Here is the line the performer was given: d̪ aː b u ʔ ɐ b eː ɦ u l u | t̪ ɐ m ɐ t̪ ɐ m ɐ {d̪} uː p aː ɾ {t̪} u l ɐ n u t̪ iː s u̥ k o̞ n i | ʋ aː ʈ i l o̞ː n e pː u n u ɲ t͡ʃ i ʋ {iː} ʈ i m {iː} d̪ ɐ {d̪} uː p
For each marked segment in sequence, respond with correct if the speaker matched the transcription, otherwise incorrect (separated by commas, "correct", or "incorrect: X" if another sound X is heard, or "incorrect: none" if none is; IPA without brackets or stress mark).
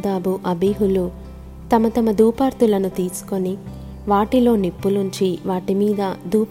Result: correct, correct, incorrect: aː, correct, correct